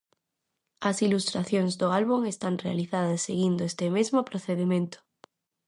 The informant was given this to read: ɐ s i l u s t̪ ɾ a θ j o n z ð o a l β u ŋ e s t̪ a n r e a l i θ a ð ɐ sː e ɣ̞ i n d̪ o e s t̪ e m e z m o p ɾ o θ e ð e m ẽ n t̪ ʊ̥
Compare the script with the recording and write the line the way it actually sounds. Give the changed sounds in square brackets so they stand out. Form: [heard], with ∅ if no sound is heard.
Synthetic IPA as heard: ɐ s i l u s t̪ ɾ a θ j o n z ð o a l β u ŋ e s t̪ a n r e a l i θ a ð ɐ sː e ɣ̞ i n d̪ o e s t̪ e m e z m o p ɾ o θ e ð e m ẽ n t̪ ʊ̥

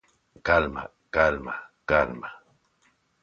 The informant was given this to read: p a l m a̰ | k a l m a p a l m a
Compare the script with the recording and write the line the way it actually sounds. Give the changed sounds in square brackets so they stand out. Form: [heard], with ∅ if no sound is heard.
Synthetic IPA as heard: [k] a l m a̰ | k a l m a [k] a l m a

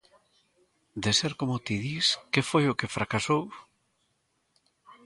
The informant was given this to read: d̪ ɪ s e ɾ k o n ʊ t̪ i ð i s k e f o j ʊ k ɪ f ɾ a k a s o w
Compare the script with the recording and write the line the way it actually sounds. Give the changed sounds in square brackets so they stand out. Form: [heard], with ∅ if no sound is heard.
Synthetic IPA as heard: d̪ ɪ s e ɾ k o [m] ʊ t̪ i ð i s k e f o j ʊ k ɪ f ɾ a k a s o w

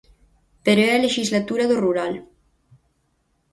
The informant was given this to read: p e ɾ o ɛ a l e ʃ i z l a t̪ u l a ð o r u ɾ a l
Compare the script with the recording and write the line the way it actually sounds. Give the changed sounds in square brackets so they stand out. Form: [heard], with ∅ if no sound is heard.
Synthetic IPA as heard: p e ɾ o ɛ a l e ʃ i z l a t̪ u [ɾ] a ð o r u ɾ a l

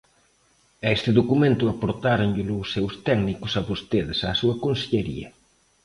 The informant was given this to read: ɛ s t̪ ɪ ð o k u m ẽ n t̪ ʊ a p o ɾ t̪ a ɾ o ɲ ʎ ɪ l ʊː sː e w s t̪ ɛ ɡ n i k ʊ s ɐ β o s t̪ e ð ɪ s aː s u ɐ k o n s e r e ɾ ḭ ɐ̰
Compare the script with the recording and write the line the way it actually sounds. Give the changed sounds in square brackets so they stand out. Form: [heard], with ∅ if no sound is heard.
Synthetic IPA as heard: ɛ s t̪ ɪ ð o k u m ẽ n t̪ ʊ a p o ɾ t̪ a ɾ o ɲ ʎ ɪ l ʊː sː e w s t̪ ɛ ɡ n i k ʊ s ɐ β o s t̪ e ð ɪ s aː s u ɐ k o n s e [ʎ] e ɾ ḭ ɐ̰

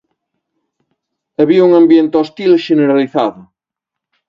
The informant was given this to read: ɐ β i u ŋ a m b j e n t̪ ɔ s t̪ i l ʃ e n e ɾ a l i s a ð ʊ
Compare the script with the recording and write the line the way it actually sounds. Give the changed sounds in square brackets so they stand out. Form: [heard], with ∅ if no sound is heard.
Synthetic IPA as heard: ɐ β i u ŋ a m b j e n t̪ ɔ s t̪ i l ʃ e n e ɾ a l i [θ] a ð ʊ

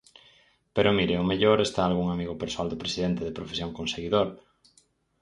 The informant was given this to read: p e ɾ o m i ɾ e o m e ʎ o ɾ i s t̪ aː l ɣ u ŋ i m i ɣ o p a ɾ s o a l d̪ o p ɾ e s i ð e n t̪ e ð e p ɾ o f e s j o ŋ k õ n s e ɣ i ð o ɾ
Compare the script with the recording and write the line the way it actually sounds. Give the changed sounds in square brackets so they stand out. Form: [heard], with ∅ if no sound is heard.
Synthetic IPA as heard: p e ɾ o m i ɾ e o m e ʎ o ɾ [e] s t̪ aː l ɣ u ŋ [a] m i ɣ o p [e] ɾ s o a l d̪ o p ɾ e s i ð e n t̪ e ð e p ɾ o f e s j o ŋ k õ n s e ɣ i ð o ɾ

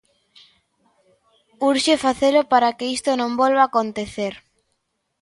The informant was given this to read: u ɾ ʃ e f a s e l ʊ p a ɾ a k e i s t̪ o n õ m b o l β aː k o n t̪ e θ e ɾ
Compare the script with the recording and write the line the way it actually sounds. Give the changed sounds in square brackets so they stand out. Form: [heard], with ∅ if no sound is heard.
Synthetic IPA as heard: u ɾ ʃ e f a [θ] e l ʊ p a ɾ a k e i s t̪ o n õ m b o l β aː k o n t̪ e θ e ɾ

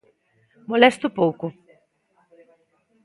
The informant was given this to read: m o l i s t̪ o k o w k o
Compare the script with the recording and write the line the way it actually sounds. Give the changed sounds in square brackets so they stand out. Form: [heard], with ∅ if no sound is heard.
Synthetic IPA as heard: m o l [ɛ] s t̪ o [p] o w k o

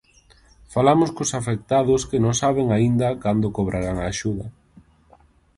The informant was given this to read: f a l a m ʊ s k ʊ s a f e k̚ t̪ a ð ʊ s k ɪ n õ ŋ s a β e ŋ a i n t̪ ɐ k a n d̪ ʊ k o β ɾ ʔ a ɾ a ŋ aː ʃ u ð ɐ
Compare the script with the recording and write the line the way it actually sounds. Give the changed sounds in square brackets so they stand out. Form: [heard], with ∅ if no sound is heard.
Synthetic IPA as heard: f a l a m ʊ s k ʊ s a f e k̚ t̪ a ð ʊ s k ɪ n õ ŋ s a β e ŋ a i n [d̪] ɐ k a n d̪ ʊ k o β ɾ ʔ a ɾ a ŋ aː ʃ u ð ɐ

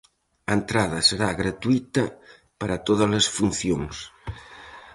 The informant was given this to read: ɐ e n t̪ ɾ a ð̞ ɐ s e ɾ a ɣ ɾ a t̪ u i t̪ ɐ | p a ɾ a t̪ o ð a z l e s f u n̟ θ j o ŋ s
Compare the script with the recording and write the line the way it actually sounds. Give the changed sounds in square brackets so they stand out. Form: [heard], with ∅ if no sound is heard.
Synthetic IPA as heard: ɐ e n t̪ ɾ a ð̞ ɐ s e ɾ a ɣ ɾ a t̪ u i t̪ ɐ | p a ɾ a t̪ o ð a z l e s f u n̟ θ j o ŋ s

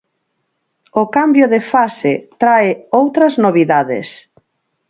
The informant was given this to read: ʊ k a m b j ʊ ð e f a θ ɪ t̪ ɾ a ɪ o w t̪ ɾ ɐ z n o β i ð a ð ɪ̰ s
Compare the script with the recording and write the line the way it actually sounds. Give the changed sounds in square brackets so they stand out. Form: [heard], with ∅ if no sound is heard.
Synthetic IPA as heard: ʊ k a m b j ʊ ð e f a [s] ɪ t̪ ɾ a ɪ o w t̪ ɾ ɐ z n o β i ð a ð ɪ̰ s

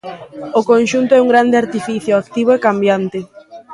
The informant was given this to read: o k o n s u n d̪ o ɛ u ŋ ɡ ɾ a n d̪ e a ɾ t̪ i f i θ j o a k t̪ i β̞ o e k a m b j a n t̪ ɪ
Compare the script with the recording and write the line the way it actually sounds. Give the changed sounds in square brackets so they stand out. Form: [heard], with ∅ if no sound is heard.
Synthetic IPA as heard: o k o n [ʃ] u n [t̪] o ɛ u ŋ ɡ ɾ a n d̪ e a ɾ t̪ i f i θ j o a k t̪ i β̞ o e k a m b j a n t̪ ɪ

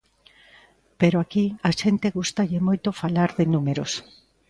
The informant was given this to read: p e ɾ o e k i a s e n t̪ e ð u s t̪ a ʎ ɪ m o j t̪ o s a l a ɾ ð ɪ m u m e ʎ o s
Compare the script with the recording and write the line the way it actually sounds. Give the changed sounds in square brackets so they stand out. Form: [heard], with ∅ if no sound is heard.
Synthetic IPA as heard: p e ɾ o [a] k i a [ʃ] e n t̪ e [ɣ] u s t̪ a ʎ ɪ m o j t̪ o [f] a l a ɾ ð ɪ [n] u m e [ɾ] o s

